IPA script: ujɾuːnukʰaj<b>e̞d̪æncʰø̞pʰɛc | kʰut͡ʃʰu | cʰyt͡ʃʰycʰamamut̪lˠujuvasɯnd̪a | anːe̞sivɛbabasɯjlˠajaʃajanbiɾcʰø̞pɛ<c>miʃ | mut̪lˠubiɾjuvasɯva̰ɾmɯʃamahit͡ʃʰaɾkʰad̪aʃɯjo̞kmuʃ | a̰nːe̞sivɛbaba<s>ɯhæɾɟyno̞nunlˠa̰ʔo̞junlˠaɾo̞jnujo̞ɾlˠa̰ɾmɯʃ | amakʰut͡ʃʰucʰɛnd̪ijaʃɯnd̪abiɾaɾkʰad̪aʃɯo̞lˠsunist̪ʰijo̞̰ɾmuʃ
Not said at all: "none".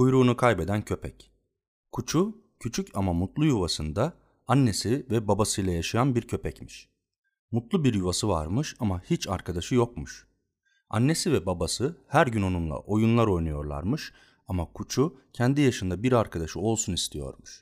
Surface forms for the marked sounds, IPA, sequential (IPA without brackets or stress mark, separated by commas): b, c, s